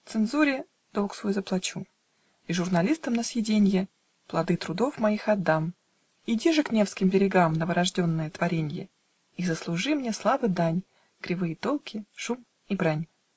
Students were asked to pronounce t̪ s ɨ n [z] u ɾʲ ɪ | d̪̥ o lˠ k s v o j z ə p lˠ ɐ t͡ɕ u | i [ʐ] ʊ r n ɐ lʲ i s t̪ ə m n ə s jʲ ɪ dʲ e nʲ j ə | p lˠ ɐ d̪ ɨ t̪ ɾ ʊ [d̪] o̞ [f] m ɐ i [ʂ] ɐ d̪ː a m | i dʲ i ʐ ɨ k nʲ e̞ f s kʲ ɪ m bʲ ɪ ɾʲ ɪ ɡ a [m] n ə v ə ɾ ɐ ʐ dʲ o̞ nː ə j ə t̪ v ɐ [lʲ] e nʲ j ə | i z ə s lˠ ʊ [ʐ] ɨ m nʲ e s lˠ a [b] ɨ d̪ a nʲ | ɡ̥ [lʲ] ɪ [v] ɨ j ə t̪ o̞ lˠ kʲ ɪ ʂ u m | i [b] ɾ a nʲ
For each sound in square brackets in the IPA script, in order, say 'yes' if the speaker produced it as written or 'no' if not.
yes, yes, yes, yes, no, yes, no, yes, no, no, yes, yes

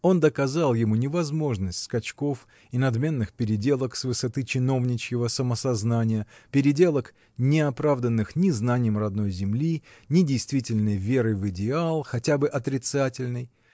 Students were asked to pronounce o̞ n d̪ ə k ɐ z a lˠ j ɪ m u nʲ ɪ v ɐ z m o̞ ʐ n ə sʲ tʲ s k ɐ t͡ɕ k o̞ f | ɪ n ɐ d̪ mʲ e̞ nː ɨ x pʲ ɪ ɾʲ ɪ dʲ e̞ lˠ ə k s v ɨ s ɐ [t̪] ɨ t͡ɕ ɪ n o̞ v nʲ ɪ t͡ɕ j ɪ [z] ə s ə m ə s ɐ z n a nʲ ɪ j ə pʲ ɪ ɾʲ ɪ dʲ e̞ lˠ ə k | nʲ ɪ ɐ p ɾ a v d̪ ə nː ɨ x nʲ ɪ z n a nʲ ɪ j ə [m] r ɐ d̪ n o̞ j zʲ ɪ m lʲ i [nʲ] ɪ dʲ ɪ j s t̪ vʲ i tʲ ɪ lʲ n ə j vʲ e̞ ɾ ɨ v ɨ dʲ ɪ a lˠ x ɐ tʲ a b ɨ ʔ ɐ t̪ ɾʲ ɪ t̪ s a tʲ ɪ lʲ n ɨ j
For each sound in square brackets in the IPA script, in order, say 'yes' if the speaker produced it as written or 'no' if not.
yes, no, yes, yes

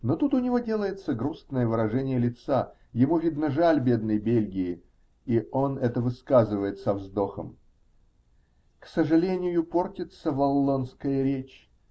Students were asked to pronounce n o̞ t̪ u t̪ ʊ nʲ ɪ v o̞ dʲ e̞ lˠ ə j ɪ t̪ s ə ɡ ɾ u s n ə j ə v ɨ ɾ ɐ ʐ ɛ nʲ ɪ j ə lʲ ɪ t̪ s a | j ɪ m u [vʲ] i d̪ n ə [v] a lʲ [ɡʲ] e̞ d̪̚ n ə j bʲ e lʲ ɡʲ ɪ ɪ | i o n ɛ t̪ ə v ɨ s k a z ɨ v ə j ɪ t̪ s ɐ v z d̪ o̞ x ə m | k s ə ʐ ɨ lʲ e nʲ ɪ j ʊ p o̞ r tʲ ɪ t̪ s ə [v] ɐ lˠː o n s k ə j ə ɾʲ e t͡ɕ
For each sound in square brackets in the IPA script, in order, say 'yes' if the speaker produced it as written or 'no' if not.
yes, no, no, yes

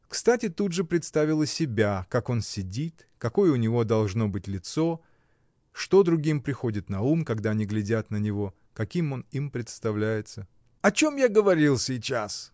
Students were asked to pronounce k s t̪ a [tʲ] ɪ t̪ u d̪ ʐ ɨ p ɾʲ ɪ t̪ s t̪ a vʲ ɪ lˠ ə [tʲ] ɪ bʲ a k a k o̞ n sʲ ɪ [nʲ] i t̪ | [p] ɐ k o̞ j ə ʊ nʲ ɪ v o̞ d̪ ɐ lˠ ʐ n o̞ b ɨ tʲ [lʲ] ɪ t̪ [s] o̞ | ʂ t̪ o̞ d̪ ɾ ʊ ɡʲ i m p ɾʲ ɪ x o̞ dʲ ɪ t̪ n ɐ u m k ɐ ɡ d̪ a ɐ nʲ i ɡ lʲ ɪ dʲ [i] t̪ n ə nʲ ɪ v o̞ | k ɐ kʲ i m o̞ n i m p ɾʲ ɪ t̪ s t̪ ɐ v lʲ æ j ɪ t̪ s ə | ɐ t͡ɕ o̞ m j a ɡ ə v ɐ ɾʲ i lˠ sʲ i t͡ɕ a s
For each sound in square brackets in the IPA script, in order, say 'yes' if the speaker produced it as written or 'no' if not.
yes, no, no, no, yes, yes, no

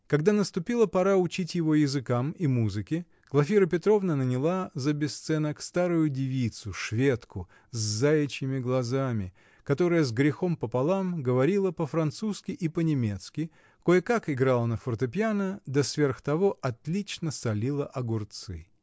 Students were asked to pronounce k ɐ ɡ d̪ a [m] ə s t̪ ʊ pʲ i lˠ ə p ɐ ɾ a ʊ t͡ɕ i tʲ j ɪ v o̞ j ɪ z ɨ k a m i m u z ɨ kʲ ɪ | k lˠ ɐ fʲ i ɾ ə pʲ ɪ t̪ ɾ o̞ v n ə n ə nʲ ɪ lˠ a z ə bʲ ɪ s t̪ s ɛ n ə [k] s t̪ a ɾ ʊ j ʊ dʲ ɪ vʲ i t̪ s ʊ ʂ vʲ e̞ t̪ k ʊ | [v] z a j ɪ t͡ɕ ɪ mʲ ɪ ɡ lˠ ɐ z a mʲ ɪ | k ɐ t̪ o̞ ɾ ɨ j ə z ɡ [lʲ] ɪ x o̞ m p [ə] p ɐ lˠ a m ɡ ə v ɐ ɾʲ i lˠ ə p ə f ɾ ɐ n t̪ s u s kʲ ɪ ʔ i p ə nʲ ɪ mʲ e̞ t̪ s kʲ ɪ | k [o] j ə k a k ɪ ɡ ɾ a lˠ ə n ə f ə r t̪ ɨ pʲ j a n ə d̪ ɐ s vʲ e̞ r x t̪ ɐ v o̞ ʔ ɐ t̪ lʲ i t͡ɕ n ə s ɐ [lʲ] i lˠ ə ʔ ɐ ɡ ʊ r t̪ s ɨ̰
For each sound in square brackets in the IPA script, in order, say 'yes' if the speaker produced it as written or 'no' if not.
no, yes, no, no, yes, yes, yes

